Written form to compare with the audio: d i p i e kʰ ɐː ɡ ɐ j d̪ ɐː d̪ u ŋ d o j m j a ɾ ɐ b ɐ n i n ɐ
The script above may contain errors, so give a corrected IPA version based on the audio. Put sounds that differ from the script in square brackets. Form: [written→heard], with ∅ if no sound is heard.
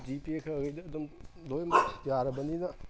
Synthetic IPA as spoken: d i p i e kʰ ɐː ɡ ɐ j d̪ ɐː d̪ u [ŋ→m] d o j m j a ɾ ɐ b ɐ n i n ɐ